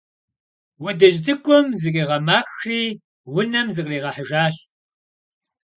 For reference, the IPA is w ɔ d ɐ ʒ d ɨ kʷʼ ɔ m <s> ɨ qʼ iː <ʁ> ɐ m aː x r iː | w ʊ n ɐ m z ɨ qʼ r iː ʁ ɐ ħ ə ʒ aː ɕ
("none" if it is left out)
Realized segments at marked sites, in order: z, ʁ

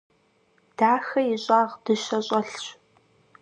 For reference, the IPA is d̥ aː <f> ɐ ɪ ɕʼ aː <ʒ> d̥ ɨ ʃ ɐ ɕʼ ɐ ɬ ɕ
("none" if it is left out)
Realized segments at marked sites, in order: x, ʁ

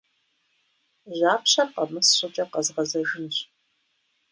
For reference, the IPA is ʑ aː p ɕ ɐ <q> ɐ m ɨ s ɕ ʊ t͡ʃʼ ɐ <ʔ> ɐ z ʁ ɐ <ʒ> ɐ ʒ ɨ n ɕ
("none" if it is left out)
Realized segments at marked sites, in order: q, q, z

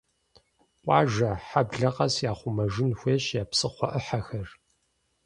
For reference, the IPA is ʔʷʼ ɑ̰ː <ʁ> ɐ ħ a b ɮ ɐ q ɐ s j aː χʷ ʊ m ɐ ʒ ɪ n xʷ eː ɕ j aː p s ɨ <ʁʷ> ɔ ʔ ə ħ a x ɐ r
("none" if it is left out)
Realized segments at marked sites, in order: ʒ, χʷ

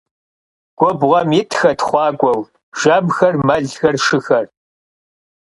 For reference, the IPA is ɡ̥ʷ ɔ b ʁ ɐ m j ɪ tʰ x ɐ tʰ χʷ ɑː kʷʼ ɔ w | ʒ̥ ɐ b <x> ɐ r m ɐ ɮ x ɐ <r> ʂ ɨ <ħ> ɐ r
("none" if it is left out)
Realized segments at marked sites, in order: x, r, x

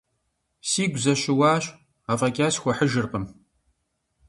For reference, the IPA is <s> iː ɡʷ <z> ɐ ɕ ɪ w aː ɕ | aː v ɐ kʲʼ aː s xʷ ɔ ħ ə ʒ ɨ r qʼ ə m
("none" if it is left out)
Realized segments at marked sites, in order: s, z

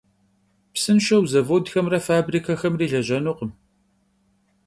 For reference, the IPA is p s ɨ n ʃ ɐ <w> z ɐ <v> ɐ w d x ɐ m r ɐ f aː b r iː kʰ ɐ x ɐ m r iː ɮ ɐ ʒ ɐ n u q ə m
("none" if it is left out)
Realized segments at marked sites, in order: w, v

